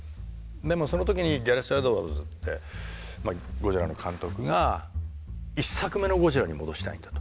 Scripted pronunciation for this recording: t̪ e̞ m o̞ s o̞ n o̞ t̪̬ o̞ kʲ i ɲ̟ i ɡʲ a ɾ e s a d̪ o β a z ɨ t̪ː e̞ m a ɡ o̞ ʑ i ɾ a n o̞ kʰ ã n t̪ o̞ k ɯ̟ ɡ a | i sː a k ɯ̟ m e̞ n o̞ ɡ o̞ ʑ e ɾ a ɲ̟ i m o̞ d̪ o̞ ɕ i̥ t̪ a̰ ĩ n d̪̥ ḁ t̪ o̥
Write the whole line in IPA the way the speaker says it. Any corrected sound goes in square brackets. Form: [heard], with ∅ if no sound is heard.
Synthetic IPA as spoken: [d̪] e̞ m o̞ s o̞ n o̞ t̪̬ o̞ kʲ i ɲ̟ i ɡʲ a ɾ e s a d̪ o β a z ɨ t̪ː e̞ m a ɡ o̞ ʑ i ɾ a n o̞ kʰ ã n t̪ o̞ k ɯ̟ ɡ a | i sː a k ɯ̟ m e̞ n o̞ ɡ o̞ ʑ [i] ɾ a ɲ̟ i m o̞ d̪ o̞ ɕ i̥ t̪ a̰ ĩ n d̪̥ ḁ t̪ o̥